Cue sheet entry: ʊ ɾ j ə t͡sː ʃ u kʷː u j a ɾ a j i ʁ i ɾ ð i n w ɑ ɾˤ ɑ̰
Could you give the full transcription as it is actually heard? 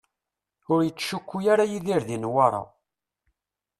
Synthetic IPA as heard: ʊ ɾ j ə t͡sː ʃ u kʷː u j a ɾ a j i ð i ɾ ð i n w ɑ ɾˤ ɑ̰